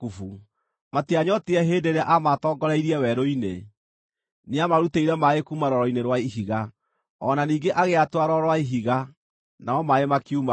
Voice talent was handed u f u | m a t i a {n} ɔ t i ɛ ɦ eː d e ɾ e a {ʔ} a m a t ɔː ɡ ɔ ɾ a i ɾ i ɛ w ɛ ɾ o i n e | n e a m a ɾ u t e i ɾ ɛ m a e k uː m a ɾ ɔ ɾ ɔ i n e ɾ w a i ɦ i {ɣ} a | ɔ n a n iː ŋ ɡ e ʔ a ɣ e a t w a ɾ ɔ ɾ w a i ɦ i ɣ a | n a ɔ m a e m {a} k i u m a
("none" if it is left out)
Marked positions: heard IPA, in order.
ɲ, ʔ, ɣ, a

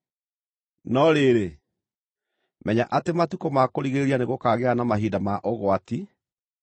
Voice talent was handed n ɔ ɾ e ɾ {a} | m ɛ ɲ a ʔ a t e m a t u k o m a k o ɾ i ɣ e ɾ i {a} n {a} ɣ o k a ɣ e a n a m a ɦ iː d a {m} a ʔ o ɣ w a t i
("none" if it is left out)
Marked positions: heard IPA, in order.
e, a, e, m

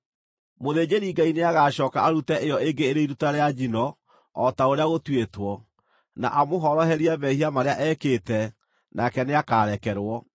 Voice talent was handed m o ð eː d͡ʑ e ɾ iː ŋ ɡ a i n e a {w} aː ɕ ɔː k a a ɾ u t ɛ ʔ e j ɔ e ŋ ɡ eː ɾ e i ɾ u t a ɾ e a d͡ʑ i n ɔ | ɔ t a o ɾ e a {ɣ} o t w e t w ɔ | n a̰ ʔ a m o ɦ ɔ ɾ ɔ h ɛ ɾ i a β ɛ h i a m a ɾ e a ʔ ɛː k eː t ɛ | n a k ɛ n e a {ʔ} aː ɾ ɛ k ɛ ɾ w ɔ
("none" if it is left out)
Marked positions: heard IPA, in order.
ɣ, ɣ, k

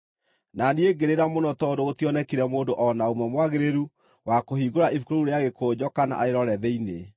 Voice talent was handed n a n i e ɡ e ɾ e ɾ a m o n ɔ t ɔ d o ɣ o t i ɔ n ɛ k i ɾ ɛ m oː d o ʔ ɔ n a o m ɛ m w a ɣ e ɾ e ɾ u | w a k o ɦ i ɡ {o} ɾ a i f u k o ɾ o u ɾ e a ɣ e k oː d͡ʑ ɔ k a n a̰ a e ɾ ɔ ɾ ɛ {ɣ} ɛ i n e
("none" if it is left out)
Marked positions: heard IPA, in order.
o, ð

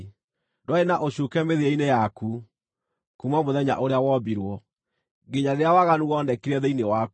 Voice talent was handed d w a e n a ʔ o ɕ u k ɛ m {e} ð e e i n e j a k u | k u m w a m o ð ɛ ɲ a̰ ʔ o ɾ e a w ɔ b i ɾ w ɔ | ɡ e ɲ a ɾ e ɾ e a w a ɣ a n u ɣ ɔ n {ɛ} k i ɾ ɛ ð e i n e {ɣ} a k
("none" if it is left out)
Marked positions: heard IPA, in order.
e, ɛ, w

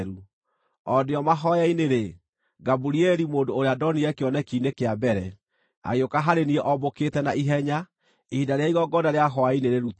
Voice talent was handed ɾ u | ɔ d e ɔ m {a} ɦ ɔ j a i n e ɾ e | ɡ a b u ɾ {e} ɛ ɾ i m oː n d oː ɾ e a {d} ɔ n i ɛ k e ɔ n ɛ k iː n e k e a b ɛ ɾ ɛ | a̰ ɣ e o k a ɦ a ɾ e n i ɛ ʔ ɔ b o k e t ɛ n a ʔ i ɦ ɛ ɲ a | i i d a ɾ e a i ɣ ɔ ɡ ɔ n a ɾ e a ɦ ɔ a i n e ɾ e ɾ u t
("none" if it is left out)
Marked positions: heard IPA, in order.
a, i, d

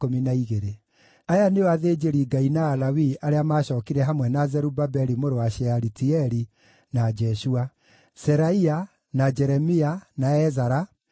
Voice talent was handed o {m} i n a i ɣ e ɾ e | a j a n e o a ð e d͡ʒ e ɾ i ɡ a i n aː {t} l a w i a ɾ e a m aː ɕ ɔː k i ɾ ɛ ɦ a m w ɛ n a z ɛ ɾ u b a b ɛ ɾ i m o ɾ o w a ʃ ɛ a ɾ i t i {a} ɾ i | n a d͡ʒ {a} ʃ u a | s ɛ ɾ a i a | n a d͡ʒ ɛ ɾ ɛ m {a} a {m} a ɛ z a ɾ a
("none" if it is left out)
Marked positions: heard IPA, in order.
m, none, ɛ, ɛ, i, n

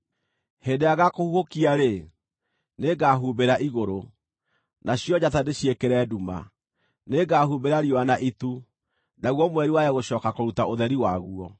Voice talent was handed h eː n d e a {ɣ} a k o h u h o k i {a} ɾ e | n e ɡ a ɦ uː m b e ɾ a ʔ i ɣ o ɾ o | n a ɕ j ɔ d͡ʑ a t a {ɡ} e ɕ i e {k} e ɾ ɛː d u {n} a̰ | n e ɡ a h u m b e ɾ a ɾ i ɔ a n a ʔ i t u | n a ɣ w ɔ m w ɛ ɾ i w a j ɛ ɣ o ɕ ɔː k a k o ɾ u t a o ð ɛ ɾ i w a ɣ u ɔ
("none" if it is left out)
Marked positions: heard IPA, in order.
ɣ, a, d, k, m

